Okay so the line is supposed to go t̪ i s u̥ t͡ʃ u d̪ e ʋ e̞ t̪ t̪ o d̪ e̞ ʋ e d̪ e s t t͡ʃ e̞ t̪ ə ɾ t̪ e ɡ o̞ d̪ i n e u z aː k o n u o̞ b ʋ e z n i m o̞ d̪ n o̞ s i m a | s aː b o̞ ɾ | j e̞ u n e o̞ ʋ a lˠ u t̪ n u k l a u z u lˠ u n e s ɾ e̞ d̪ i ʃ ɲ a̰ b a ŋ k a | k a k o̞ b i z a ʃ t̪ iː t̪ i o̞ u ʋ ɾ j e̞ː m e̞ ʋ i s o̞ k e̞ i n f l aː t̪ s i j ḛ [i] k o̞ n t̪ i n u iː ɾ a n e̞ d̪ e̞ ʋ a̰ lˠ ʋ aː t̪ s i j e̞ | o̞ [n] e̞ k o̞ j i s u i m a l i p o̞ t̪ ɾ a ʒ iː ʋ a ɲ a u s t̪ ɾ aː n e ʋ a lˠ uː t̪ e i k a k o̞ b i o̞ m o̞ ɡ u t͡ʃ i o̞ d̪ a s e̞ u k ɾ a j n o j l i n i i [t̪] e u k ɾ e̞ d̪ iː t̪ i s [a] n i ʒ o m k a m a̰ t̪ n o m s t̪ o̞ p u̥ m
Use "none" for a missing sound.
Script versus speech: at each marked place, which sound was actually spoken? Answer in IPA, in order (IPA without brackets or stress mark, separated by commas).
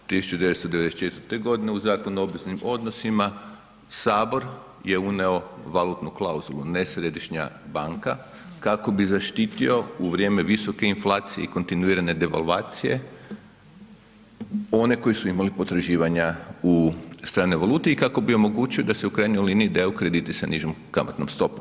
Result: i, n, d̪, a